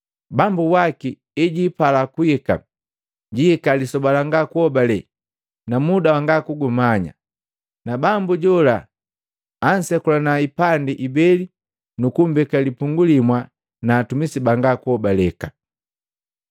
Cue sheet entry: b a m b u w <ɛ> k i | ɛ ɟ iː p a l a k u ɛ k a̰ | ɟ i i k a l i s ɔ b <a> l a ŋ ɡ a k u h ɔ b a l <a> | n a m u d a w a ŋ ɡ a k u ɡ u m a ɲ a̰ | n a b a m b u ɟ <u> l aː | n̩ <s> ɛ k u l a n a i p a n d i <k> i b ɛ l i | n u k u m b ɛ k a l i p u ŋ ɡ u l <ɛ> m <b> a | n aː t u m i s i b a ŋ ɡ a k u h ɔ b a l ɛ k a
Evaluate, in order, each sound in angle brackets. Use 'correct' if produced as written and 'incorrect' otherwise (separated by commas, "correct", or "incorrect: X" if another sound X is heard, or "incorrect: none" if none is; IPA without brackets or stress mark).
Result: incorrect: a, correct, incorrect: ɛ, incorrect: ɔ, correct, incorrect: ʔ, incorrect: i, incorrect: w